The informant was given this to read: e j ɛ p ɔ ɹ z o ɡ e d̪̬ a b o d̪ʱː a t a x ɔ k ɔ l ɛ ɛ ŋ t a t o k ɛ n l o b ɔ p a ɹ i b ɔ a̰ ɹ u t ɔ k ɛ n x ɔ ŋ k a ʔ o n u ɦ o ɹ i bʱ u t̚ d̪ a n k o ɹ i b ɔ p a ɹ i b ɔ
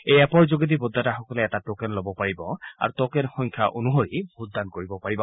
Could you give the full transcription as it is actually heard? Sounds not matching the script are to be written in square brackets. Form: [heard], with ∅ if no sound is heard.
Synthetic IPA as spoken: e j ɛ p ɔ ɹ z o ɡ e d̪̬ [i] b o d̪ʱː a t a x ɔ k ɔ l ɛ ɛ [∅] t a t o k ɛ n l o b ɔ p a ɹ i b ɔ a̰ ɹ u t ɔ k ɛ n x ɔ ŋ [kʰ] a ʔ o n u ɦ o ɹ i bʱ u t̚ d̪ a n k o ɹ i b ɔ p a ɹ i b ɔ